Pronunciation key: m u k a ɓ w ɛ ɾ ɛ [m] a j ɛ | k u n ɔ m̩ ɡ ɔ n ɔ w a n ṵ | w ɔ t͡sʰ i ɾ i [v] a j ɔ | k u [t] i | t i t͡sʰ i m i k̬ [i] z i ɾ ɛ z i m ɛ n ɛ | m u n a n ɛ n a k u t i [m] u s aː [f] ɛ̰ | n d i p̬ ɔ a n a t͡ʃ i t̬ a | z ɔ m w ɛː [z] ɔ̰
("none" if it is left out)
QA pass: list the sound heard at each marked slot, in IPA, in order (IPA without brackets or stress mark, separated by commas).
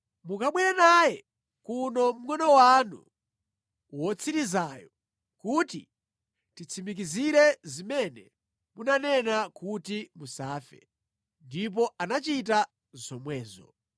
n, z, t, i, m, f, z